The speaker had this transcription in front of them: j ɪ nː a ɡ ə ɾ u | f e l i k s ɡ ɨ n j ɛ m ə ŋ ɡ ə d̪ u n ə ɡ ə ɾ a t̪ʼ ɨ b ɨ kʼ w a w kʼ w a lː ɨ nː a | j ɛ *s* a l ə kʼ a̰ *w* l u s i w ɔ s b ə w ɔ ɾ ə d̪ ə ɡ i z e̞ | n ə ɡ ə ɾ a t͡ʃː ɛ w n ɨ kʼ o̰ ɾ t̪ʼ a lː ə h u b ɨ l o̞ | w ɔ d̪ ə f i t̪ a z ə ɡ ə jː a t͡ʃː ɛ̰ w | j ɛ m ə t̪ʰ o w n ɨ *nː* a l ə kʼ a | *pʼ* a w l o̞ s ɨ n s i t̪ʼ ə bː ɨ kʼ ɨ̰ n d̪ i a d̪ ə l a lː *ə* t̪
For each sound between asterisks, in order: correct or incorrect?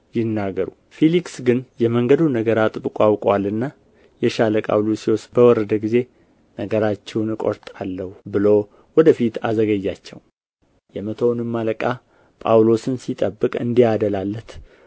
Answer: incorrect: ʃ, correct, incorrect: mː, correct, correct

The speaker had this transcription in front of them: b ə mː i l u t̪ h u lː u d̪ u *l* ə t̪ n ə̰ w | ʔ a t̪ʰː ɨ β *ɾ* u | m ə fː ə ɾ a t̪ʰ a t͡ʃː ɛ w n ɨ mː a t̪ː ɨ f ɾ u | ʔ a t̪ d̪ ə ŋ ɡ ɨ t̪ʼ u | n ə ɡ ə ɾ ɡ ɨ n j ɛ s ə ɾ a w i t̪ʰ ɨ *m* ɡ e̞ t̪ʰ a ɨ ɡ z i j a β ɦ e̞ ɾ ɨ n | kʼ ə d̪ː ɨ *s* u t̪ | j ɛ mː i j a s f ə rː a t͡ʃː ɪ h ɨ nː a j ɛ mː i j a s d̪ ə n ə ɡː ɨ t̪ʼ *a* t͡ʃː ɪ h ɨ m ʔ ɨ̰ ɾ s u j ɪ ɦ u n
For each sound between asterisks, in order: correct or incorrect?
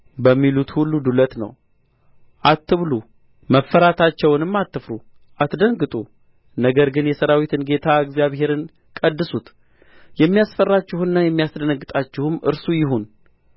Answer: correct, incorrect: l, incorrect: n, correct, correct

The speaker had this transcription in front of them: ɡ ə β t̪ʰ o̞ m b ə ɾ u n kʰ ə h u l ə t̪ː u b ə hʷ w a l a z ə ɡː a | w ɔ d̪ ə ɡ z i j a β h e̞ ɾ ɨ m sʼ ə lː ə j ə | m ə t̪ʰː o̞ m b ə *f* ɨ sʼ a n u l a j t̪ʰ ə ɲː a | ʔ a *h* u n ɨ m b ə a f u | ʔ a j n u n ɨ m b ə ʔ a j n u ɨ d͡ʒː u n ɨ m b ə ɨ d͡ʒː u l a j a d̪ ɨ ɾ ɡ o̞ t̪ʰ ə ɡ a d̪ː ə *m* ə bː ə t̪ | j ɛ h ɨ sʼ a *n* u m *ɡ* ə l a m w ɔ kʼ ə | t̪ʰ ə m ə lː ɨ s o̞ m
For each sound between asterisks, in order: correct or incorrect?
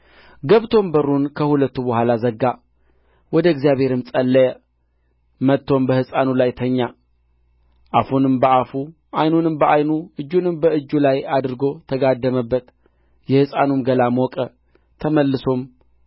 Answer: incorrect: h, incorrect: f, correct, correct, correct

